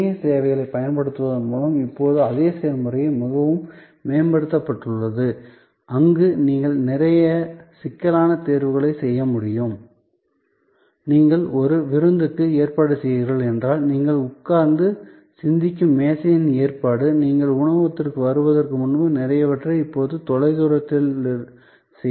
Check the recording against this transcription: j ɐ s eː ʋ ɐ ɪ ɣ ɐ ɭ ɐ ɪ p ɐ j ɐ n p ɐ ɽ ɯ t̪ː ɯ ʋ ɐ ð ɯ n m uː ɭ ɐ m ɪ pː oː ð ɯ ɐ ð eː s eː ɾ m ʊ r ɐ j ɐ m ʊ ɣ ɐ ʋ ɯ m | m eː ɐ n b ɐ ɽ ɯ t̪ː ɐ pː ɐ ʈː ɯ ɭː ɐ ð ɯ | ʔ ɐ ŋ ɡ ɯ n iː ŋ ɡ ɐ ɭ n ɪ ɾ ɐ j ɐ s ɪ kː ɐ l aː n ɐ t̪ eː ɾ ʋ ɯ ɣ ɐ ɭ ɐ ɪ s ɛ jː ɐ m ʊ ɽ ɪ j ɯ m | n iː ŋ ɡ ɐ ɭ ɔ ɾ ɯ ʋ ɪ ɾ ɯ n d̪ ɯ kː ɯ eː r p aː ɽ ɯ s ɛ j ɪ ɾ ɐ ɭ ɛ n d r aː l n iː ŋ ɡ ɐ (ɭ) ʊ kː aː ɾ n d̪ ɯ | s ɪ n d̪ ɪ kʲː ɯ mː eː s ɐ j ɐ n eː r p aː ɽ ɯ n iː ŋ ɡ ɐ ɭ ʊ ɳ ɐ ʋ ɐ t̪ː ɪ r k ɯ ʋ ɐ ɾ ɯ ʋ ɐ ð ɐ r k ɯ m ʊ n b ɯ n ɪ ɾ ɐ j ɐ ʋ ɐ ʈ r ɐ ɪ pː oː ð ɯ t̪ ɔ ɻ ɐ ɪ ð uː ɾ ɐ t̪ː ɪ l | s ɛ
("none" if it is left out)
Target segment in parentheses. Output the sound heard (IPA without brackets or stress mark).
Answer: ɭ